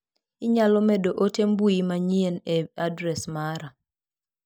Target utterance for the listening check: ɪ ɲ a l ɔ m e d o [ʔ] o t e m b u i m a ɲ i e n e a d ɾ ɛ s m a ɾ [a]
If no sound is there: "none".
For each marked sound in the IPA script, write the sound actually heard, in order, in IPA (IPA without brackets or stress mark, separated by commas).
ʔ, a